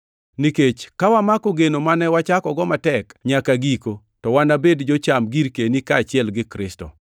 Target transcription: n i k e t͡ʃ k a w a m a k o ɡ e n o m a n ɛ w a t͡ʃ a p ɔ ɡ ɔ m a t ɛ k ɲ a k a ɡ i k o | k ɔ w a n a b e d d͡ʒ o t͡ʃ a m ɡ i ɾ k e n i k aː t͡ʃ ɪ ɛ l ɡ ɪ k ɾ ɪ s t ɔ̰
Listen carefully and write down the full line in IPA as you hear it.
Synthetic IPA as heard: n i k e t͡ʃ k a w a m a k o ɡ e n o m a n ɛ w a t͡ʃ a k ɔ ɡ ɔ m a t ɛ k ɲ a k a ɡ i k o | t ɔ w a n a b e d d͡ʒ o t͡ʃ a m ɡ i ɾ k e n i k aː t͡ʃ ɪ ɛ l ɡ ɪ k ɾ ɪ s t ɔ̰